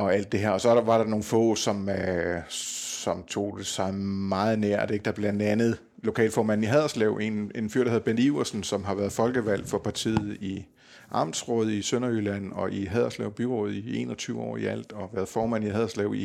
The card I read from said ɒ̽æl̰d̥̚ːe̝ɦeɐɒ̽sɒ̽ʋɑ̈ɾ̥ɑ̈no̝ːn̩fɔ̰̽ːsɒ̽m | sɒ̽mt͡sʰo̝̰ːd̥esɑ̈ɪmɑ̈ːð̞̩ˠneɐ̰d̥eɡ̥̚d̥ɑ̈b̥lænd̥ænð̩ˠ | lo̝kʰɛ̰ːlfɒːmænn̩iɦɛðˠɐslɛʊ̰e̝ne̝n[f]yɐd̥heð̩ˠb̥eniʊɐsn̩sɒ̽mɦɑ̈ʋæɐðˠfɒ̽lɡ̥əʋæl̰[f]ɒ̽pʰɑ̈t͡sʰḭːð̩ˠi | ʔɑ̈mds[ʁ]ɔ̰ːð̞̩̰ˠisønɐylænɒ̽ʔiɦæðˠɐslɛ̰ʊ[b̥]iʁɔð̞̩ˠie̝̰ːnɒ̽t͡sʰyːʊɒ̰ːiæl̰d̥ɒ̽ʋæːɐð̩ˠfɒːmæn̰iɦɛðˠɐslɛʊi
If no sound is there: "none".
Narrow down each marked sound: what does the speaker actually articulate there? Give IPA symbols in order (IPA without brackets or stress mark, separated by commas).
f, f, ʁ, b̥